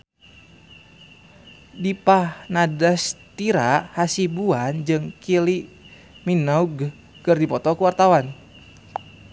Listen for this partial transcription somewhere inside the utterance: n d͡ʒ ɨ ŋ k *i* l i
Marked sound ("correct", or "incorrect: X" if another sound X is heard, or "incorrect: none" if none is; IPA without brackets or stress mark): correct